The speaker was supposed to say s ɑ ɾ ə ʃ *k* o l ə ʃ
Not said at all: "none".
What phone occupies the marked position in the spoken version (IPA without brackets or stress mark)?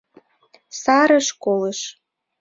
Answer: k